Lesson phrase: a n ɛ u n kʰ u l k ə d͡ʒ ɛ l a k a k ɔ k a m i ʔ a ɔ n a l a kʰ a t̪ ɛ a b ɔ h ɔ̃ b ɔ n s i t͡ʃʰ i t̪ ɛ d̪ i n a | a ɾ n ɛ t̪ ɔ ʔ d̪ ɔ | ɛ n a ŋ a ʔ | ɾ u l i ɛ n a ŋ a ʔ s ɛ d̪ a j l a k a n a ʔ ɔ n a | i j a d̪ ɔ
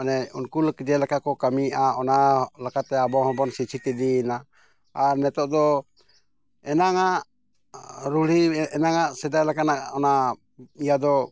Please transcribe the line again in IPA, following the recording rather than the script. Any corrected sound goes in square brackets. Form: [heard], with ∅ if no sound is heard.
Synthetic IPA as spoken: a n ɛ u n [k] u l k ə d͡ʒ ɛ l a k a k ɔ k a m i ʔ a ɔ n a l a [k] a t̪ ɛ a b ɔ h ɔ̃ b ɔ n s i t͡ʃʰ i t̪ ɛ d̪ i n a | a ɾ n ɛ t̪ ɔ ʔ d̪ ɔ | ɛ n a ŋ a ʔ | ɾ u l i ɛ n a ŋ a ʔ s ɛ d̪ a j l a k a n a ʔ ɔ n a | i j a d̪ ɔ